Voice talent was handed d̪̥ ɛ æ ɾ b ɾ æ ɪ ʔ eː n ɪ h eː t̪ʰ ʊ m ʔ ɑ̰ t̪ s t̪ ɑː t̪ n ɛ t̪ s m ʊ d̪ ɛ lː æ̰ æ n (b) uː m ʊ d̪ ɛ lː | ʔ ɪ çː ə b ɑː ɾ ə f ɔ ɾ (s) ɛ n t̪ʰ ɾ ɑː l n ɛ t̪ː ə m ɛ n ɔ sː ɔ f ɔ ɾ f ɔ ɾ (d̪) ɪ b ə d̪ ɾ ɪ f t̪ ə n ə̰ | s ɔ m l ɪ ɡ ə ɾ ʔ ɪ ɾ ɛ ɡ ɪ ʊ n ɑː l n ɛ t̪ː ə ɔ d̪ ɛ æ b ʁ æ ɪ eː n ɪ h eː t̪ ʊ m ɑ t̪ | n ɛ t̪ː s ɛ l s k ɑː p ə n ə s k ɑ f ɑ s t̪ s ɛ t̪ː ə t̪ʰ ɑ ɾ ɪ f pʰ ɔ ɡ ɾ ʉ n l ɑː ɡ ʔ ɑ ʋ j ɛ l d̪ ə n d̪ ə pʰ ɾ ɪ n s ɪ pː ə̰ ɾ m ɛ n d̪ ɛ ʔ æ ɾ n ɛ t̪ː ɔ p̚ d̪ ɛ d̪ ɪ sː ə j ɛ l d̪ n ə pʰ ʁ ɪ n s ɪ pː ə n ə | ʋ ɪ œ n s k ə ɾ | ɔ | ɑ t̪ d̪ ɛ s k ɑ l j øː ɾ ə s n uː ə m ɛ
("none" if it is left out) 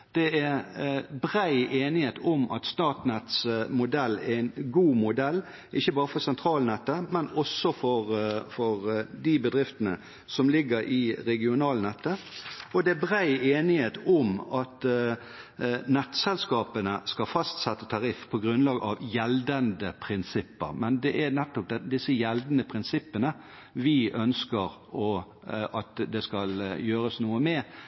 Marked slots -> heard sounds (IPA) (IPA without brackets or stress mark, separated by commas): ɡ, s, d̪